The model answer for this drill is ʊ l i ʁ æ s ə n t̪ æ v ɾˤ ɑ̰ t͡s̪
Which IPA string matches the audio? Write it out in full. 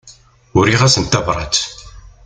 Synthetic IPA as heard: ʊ ɾ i ʁ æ s ə n t̪ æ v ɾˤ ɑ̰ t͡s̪